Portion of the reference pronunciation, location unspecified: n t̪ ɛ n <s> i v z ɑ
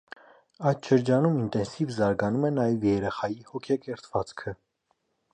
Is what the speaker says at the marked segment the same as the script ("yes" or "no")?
yes